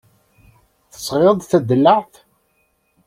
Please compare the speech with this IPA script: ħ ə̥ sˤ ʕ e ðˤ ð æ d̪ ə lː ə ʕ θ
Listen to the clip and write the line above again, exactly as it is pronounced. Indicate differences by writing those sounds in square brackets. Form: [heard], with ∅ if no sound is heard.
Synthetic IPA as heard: [θ] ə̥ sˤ [ʁ] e ðˤ [θ] æ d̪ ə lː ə ʕ θ